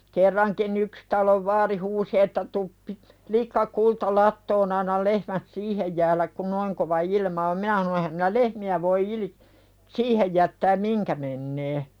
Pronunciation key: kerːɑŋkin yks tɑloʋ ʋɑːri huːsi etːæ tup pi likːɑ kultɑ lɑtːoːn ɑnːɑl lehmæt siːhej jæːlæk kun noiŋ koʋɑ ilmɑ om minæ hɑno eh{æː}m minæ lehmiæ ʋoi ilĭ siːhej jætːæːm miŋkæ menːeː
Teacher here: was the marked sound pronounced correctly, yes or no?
no